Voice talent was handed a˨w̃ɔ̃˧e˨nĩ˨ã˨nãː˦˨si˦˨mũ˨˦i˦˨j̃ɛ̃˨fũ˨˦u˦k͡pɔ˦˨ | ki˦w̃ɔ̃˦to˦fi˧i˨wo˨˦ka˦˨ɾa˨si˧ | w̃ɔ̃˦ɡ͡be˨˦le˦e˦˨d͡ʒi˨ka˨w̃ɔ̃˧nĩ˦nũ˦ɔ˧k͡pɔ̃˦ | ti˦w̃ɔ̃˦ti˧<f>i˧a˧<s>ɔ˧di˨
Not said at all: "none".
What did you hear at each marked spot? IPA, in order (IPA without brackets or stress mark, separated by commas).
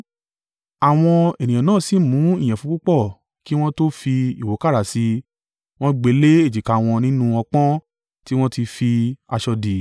f, ʃ